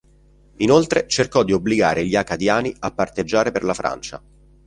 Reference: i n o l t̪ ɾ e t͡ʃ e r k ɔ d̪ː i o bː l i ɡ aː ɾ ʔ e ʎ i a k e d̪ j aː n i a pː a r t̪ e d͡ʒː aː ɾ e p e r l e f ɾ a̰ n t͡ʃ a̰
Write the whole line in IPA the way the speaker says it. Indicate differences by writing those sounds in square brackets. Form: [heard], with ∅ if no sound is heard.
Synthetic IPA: i n o l t̪ ɾ e t͡ʃ e r k ɔ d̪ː i o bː l i ɡ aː ɾ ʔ e ʎ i a k [a] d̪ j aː n i a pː a r t̪ e d͡ʒː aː ɾ e p e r l [a] f ɾ a̰ n t͡ʃ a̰